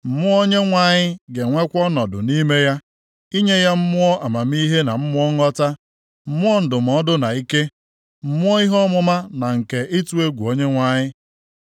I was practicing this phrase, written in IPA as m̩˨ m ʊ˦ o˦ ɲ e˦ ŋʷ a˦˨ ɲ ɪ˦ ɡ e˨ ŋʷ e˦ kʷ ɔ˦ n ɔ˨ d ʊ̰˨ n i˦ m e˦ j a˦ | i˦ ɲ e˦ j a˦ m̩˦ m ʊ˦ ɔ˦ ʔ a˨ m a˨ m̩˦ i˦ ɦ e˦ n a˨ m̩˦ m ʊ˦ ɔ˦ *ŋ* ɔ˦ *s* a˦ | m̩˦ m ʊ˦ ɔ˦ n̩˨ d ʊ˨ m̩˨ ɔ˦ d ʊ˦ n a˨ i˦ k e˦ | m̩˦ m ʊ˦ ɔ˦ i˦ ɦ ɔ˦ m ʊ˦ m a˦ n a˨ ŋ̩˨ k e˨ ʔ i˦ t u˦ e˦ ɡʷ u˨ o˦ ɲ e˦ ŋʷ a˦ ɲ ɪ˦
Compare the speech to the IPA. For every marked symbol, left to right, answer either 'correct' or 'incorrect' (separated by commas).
correct, incorrect